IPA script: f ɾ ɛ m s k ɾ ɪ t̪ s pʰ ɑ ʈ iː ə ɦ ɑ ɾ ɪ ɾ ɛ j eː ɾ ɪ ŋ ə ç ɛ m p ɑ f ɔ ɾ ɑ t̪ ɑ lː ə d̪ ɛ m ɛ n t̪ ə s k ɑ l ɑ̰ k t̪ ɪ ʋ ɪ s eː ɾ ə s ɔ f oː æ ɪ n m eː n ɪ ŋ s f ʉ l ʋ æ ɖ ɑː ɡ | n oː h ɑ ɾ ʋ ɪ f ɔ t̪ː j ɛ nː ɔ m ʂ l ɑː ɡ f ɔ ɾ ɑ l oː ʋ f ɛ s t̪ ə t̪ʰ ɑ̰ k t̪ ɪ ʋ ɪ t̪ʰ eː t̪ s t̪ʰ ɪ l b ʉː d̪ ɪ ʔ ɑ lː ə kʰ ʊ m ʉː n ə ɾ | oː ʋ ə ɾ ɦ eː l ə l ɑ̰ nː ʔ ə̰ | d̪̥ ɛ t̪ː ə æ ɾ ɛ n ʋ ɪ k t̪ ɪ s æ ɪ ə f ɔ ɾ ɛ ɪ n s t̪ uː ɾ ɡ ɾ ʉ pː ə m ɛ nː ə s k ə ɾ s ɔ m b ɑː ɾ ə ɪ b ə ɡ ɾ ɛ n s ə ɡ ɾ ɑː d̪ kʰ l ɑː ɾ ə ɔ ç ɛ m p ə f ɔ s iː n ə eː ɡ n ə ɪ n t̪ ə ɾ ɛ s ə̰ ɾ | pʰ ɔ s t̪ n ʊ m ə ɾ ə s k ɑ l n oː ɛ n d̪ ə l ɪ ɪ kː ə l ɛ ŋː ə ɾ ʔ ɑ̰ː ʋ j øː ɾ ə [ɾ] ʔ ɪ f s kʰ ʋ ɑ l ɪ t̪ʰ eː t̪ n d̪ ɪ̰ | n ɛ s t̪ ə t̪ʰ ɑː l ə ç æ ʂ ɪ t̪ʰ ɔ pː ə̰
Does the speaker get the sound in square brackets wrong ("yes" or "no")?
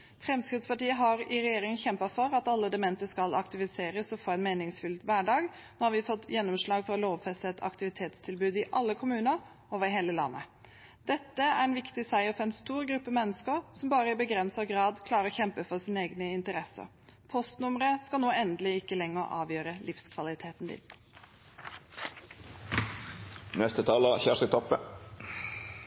yes